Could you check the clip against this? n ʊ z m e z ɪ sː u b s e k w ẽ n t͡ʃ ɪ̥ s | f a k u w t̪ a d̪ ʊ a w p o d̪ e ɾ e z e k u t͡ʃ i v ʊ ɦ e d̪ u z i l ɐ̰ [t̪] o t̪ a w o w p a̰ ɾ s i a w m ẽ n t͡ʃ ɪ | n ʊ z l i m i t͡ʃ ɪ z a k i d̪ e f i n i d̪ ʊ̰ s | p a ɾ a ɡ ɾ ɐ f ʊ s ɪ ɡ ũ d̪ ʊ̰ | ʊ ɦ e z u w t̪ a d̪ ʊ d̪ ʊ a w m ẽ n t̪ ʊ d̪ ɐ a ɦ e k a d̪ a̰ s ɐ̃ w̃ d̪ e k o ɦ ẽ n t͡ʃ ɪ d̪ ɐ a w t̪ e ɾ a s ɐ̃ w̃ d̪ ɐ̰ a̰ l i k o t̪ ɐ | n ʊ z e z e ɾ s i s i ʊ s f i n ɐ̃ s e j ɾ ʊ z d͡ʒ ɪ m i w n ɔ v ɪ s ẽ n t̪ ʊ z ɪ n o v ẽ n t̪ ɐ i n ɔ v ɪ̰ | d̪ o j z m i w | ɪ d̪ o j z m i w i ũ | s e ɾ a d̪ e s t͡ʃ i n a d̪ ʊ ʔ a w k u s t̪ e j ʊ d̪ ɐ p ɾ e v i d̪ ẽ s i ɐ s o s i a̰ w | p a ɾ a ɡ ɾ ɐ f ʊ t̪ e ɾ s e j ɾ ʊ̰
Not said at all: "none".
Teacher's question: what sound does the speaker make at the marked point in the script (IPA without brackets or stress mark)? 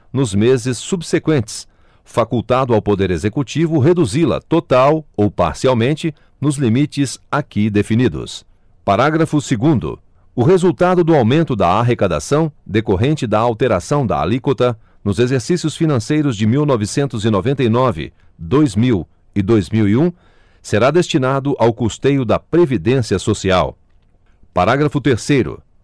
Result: t̪